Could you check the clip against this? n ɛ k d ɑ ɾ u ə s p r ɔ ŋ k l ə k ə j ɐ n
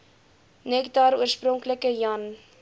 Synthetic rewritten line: n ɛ k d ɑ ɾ u ə s p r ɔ ŋ k l ə k ə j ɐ n